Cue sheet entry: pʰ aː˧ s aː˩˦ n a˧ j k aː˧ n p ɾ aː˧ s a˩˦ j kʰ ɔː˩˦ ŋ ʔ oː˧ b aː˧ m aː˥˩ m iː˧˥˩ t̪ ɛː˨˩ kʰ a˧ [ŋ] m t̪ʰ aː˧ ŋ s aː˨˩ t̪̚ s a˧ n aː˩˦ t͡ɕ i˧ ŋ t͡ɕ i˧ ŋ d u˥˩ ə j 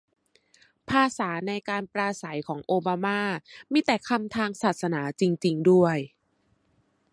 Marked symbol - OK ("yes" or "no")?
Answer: no